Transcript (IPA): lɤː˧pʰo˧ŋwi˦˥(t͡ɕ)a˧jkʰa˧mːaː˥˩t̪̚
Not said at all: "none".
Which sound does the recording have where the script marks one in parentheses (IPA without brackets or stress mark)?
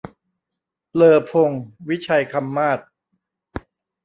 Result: t͡ɕʰ